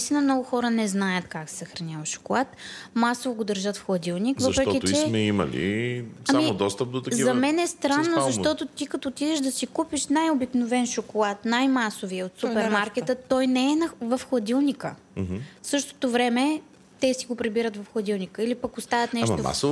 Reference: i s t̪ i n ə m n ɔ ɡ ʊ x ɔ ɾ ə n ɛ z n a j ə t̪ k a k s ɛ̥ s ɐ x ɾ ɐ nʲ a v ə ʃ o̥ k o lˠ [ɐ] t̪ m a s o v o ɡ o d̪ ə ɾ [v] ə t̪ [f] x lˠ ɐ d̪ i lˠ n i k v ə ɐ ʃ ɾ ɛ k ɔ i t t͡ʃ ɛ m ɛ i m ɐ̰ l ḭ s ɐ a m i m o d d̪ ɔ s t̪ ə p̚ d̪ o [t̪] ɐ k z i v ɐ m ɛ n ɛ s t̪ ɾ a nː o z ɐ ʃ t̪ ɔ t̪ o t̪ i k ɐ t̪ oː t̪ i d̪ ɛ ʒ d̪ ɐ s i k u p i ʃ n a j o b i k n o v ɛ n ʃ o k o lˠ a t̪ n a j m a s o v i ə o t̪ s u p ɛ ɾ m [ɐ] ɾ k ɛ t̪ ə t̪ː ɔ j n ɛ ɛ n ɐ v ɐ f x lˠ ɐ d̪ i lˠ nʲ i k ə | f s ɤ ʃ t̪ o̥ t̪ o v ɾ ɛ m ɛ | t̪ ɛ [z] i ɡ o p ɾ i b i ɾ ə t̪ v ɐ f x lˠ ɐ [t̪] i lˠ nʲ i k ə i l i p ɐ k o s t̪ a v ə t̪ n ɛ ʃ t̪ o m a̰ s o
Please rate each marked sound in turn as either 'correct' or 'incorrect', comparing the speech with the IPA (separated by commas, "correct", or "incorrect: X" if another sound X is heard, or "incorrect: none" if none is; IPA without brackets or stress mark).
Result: incorrect: a, incorrect: ʒ, correct, correct, incorrect: a, incorrect: s, incorrect: d̪